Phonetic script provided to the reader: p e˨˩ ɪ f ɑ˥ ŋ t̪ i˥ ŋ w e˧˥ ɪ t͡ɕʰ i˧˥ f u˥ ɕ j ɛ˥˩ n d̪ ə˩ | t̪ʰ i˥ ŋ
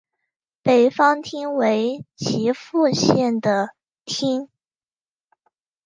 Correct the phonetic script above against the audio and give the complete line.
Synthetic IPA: p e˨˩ ɪ f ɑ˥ ŋ t̪ʰ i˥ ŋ w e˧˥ ɪ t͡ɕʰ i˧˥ f u˥˧ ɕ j ɛ˥˩ n d̪ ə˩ | t̪ʰ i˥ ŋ